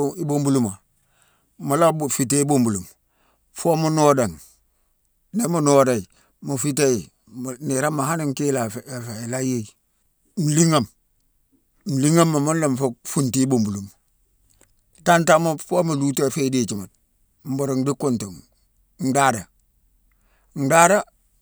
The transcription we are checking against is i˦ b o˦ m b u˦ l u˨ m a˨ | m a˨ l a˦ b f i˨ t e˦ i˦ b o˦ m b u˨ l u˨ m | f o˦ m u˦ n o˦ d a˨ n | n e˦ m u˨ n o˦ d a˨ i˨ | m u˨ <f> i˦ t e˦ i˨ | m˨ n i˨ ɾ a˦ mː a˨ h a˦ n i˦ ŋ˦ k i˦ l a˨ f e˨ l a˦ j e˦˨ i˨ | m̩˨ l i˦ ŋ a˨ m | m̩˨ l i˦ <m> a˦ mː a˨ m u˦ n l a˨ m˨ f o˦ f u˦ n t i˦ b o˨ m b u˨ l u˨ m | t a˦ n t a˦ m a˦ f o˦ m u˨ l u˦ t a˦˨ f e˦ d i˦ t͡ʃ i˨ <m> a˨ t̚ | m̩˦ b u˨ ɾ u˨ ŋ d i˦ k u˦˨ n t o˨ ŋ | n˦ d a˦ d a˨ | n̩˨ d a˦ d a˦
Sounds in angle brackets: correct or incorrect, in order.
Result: correct, incorrect: ŋ, correct

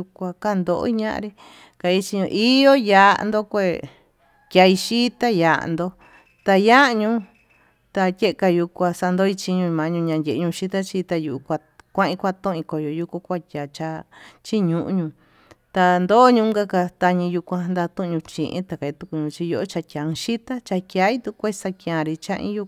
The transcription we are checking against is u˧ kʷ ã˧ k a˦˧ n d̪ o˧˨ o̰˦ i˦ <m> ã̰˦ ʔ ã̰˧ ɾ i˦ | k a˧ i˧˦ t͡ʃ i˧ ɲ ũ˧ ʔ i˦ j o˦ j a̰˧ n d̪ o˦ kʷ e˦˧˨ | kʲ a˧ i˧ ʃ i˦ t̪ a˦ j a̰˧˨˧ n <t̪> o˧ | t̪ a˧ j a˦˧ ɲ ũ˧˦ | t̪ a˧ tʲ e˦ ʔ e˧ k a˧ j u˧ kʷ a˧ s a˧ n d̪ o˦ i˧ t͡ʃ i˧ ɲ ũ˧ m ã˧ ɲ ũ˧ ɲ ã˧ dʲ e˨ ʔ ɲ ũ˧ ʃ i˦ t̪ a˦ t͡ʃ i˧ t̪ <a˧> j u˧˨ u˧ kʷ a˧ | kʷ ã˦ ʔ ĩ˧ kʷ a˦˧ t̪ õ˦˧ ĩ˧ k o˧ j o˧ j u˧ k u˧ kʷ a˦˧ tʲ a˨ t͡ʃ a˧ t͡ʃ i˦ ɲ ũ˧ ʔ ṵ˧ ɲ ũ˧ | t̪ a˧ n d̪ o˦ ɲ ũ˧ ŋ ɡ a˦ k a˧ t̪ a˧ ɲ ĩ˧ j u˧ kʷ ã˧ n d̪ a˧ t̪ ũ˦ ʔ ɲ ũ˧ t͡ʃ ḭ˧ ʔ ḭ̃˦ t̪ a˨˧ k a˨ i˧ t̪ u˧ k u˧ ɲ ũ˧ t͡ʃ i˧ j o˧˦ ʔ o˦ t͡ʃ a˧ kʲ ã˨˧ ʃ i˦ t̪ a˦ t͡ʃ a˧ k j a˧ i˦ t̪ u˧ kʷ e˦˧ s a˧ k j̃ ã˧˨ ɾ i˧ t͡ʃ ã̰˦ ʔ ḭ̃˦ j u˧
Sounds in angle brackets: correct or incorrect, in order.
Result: incorrect: ɲ, incorrect: d̪, correct

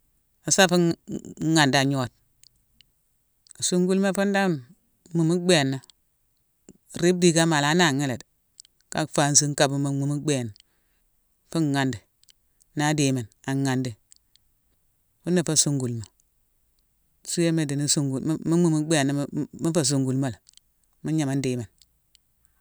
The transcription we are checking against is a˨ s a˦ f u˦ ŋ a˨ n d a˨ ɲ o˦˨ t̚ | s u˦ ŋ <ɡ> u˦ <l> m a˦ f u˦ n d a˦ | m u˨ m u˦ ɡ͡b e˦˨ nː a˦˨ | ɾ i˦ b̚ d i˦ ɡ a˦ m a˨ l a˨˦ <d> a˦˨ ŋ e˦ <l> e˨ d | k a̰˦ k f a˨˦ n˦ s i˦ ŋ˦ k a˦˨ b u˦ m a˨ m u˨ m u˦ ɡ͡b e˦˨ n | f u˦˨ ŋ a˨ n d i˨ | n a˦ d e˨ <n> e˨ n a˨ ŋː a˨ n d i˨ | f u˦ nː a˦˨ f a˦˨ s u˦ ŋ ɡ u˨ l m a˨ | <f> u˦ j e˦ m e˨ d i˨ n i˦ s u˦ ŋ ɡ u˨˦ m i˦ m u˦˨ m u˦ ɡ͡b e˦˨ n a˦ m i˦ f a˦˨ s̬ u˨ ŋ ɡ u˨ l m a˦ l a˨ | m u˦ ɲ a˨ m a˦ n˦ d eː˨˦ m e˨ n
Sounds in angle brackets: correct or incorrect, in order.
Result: correct, correct, incorrect: n, correct, incorrect: m, incorrect: s

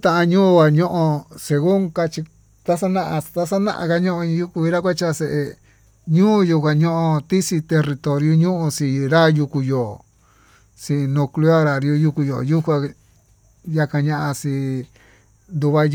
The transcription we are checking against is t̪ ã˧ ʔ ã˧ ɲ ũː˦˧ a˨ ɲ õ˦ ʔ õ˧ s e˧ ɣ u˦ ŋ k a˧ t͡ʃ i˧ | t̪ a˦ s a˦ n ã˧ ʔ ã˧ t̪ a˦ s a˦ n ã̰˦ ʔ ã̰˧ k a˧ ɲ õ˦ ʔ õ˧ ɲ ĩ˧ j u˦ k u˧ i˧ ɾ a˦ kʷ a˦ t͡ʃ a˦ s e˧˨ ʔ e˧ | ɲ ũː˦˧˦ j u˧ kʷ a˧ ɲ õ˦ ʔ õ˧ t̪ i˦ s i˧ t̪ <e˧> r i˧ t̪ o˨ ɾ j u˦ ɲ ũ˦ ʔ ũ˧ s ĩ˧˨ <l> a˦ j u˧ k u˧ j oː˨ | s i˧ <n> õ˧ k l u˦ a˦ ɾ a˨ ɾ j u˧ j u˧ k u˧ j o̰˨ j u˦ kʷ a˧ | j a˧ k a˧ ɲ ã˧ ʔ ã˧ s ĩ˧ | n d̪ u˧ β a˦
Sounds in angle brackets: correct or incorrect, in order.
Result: correct, incorrect: ɾ, correct

